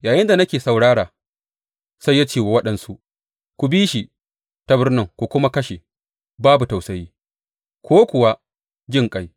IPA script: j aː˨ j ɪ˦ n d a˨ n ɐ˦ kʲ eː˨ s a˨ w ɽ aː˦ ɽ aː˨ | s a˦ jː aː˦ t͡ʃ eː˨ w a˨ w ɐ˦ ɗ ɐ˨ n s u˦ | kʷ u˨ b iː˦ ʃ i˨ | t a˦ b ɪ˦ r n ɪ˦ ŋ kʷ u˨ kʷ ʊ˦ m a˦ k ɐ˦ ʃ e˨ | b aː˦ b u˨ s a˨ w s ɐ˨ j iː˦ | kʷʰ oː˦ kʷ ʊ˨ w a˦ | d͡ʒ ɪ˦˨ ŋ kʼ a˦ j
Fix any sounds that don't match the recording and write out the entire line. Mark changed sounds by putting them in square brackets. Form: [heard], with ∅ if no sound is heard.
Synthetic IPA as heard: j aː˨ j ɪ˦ n d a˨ n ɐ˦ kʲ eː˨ s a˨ w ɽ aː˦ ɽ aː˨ | s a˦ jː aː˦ t͡ʃ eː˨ w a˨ w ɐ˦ ɗ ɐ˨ n s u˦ | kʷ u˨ b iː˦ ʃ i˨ | t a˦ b ɪ˦ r n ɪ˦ ŋ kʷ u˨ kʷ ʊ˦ m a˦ k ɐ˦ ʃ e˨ | b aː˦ b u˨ [t] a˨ w s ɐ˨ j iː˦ | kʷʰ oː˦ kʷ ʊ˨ w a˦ | d͡ʒ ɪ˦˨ ŋ kʼ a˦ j